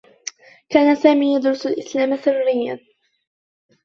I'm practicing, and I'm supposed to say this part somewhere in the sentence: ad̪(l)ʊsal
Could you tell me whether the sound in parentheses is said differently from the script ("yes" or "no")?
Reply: yes